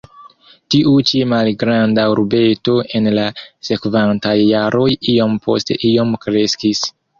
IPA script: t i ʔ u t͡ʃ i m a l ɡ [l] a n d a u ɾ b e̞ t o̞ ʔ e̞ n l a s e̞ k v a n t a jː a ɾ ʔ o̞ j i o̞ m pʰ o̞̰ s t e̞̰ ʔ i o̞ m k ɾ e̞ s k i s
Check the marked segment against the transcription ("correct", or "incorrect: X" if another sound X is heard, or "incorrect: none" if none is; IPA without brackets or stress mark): incorrect: ɾ